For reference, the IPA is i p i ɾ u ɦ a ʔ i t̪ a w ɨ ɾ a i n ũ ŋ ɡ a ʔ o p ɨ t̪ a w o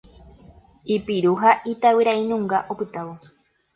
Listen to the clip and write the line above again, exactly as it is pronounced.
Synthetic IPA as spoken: i p i ɾ u ɦ a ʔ i t̪ a w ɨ ɾ a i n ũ ŋ ɡ a ʔ o p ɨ t̪ a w o